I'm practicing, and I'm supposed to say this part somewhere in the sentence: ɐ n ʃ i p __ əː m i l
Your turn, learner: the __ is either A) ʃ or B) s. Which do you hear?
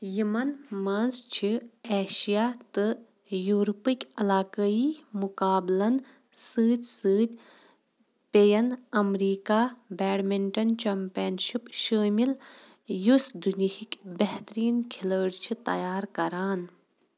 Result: A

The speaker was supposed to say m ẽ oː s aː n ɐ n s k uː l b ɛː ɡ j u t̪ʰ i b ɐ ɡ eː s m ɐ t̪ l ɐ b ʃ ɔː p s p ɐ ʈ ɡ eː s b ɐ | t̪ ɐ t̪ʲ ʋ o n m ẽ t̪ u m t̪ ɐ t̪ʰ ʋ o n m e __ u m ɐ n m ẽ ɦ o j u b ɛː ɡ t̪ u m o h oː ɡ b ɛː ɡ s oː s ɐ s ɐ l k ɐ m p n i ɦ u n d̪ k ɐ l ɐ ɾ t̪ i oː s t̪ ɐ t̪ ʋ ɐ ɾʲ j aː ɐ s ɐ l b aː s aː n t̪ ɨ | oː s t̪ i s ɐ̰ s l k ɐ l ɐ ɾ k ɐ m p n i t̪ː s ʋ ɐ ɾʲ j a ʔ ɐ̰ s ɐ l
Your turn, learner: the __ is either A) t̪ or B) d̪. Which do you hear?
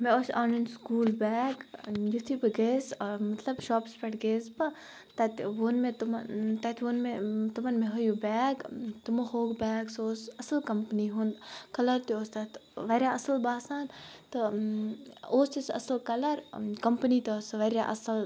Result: A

